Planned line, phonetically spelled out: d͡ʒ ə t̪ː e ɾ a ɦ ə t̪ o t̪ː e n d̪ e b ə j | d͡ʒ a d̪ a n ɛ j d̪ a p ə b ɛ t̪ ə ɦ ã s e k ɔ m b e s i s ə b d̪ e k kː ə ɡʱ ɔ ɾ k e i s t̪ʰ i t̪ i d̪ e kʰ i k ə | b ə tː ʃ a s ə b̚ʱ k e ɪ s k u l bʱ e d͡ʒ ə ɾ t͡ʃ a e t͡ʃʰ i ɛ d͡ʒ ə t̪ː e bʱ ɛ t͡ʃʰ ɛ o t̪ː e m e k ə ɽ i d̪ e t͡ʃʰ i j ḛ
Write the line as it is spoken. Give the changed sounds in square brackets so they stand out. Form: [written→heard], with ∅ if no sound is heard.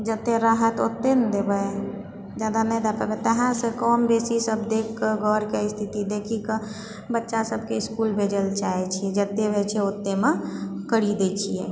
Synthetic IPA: d͡ʒ ə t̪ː e ɾ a ɦ ə t̪ o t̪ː e n d̪ e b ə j | d͡ʒ a d̪ a n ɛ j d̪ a p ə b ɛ t̪ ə ɦ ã s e k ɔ m b e s i s ə b d̪ e k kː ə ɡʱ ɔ ɾ k e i s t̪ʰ i t̪ i d̪ e kʰ i k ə | b ə tː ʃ a s ə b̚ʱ k e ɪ s k u l bʱ e d͡ʒ ə [ɾ→l] t͡ʃ a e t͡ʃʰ i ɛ d͡ʒ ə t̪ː e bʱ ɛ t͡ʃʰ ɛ o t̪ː e m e k ə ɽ i d̪ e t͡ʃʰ i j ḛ

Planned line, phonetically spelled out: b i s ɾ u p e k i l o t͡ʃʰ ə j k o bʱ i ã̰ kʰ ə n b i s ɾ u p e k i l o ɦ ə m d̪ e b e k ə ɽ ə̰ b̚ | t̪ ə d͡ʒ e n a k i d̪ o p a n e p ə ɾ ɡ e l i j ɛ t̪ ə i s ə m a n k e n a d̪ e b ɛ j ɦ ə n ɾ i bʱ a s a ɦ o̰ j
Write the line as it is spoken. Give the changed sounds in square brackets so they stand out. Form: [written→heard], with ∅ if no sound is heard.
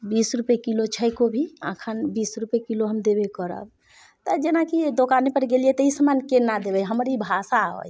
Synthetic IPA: b i s ɾ u p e k i l o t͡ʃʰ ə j k o bʱ i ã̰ kʰ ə n b i s ɾ u p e k i l o ɦ ə m d̪ e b e k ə [ɽ→ɾ] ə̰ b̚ | t̪ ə d͡ʒ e n a k i d̪ o [p→k] a n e p ə ɾ ɡ e l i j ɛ t̪ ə i s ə m a n k e n a d̪ e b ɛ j ɦ ə [n→m] ɾ i bʱ a s a ɦ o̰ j

